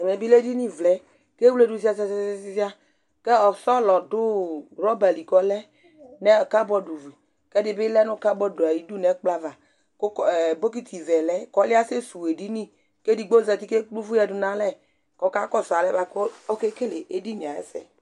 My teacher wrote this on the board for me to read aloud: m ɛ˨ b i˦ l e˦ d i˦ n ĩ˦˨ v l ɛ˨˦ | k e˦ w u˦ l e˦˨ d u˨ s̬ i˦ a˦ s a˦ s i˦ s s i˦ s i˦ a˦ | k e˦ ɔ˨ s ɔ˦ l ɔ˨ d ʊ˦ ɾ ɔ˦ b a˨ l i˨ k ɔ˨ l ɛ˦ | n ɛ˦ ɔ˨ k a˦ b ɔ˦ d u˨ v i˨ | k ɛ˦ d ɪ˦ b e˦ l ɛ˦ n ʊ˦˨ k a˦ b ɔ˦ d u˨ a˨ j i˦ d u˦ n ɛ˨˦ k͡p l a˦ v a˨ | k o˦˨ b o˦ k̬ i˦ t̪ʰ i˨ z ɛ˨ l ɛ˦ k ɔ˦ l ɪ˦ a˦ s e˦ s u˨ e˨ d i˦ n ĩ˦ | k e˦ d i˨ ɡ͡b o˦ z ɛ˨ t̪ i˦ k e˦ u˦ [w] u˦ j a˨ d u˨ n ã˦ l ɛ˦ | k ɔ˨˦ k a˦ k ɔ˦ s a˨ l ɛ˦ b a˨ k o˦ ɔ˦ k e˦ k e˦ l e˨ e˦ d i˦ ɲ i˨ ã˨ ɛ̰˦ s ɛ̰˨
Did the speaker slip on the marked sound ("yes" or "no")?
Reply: yes